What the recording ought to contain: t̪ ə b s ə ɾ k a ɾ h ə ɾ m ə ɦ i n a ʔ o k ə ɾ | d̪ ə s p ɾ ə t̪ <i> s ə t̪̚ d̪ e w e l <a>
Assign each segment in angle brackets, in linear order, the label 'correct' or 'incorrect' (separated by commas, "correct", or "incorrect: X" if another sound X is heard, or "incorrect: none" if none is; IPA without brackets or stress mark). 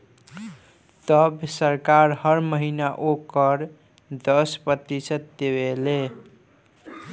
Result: correct, incorrect: e